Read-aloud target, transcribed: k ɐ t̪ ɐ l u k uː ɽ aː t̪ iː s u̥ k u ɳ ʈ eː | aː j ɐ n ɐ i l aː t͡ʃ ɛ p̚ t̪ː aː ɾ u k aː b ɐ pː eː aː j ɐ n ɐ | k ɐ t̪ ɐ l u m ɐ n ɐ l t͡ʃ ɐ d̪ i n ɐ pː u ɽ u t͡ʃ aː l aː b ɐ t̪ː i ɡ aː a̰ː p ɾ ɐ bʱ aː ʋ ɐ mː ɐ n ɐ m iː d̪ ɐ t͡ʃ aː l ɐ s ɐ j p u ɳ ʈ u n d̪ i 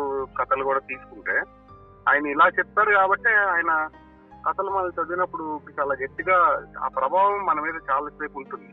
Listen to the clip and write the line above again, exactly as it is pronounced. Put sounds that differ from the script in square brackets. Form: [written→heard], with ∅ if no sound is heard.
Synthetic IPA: k ɐ t̪ ɐ l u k uː ɽ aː t̪ iː s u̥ k u ɳ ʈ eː | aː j ɐ n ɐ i l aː t͡ʃ ɛ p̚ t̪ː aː ɾ u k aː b ɐ [pː→ʈː] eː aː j ɐ n ɐ | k ɐ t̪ ɐ l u m ɐ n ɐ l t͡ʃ ɐ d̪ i n ɐ pː u ɽ u t͡ʃ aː l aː [b→ɡ] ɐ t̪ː i ɡ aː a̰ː p ɾ ɐ bʱ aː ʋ ɐ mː ɐ n ɐ m iː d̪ ɐ t͡ʃ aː l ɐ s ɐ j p u ɳ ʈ u n d̪ i